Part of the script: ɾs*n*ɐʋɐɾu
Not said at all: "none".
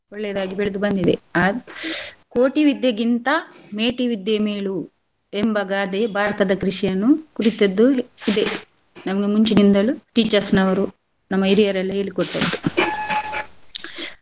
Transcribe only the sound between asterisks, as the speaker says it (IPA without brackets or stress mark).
n